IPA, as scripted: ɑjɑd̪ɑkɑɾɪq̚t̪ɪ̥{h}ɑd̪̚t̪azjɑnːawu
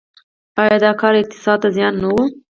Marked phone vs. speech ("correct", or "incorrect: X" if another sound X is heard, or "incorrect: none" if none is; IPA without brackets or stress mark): incorrect: s